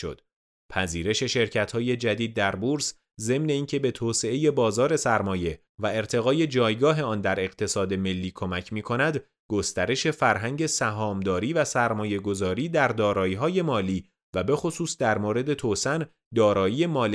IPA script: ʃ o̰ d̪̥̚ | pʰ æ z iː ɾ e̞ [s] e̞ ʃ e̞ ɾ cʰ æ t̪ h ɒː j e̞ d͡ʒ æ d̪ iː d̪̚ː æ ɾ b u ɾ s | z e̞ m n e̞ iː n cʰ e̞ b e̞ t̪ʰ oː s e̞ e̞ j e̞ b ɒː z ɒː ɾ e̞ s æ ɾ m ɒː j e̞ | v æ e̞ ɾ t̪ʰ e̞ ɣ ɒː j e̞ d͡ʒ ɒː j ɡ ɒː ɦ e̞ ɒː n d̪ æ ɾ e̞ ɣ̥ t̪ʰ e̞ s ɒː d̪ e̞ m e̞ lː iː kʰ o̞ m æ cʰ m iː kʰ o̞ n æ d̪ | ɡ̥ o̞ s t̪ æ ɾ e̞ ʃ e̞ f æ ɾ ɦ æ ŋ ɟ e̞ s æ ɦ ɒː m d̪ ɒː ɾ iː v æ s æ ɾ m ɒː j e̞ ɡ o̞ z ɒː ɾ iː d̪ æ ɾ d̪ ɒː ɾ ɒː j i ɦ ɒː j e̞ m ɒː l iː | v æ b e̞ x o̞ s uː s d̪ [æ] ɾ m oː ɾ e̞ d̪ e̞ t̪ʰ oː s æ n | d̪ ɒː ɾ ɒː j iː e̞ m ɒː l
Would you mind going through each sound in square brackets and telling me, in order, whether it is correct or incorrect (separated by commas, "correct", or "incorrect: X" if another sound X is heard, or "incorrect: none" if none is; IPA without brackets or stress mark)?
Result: incorrect: ʃ, correct